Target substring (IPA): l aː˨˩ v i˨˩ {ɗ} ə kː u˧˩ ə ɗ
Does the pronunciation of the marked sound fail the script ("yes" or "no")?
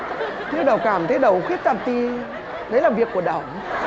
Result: yes